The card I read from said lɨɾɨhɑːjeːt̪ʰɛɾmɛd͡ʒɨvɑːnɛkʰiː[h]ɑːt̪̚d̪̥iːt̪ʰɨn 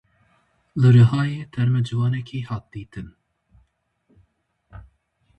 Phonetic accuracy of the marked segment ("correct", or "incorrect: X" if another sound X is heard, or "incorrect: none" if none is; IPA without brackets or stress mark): correct